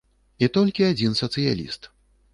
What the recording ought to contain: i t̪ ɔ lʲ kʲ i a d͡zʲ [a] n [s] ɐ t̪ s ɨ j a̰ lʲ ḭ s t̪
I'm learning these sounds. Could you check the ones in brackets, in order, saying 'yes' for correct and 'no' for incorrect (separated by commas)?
no, yes